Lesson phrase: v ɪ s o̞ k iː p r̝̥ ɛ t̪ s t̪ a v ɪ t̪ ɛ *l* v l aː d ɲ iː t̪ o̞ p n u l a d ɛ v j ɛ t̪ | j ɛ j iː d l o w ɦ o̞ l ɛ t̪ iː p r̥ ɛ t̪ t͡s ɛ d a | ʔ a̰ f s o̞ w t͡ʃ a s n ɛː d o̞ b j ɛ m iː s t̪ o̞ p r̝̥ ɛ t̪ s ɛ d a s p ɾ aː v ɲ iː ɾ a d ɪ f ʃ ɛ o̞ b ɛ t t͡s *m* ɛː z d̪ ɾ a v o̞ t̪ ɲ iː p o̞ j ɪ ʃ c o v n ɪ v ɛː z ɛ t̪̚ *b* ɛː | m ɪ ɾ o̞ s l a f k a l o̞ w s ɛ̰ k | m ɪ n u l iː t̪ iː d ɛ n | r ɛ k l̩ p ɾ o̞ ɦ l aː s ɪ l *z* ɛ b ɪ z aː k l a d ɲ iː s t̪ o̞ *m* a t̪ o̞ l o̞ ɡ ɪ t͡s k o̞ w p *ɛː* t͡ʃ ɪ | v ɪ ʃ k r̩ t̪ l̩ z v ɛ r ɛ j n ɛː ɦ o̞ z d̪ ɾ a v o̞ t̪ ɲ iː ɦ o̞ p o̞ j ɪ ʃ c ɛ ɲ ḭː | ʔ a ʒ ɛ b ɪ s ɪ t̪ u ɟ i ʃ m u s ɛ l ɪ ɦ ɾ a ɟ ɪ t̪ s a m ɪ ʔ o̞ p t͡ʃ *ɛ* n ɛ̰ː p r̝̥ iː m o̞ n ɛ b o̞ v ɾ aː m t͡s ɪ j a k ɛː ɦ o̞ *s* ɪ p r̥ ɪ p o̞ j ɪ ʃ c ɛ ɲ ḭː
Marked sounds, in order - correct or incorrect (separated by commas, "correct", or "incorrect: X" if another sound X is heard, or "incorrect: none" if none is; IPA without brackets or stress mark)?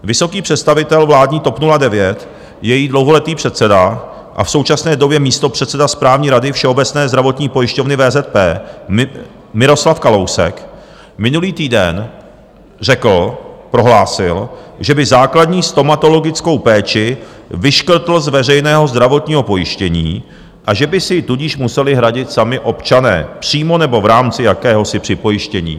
correct, incorrect: n, incorrect: p, incorrect: ʒ, correct, correct, incorrect: a, correct